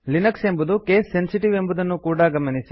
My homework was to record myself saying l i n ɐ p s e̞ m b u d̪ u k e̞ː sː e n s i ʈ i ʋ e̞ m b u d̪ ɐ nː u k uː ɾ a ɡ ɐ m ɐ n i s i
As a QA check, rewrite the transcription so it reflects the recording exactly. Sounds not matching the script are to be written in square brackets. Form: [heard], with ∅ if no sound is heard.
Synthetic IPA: l i n ɐ [k] s e̞ m b u d̪ u k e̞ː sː e n s i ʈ i ʋ e̞ m b u d̪ ɐ nː u k uː [ɽ] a ɡ ɐ m ɐ n i s i